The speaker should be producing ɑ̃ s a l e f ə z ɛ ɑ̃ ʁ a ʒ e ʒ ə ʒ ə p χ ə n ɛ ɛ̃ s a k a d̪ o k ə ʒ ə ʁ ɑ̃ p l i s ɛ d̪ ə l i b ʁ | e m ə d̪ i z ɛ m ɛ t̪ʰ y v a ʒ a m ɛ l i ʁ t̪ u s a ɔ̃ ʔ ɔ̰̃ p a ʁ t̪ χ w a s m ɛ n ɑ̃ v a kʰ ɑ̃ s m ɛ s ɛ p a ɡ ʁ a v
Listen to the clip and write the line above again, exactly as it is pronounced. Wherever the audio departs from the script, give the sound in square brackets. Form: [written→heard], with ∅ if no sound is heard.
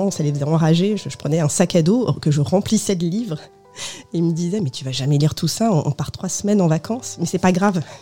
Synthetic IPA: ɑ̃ s a l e f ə z ɛ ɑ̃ ʁ a ʒ e ʒ ə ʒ ə p χ ə n ɛ ɛ̃ s a k a d̪ o k ə ʒ ə ʁ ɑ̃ p l i s ɛ d̪ ə l i [b→v] ʁ | e m ə d̪ i z ɛ m ɛ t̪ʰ y v a ʒ a m ɛ l i ʁ t̪ u s a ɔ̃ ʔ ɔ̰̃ p a ʁ t̪ χ w a s m ɛ n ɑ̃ v a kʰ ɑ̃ s m ɛ s ɛ p a ɡ ʁ a v